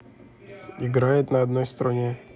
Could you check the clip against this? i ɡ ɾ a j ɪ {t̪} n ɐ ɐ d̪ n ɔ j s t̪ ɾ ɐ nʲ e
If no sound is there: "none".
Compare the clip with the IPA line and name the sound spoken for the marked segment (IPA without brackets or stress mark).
t̪